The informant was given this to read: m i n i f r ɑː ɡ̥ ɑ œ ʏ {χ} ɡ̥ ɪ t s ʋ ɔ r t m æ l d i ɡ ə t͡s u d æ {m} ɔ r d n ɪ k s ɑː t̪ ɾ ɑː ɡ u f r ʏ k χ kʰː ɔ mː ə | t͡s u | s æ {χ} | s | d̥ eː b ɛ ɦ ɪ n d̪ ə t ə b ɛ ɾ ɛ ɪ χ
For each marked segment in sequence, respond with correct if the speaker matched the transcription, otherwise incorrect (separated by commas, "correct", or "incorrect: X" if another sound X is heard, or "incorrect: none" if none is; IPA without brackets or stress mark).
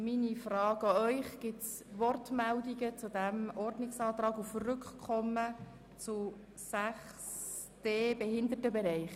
correct, correct, correct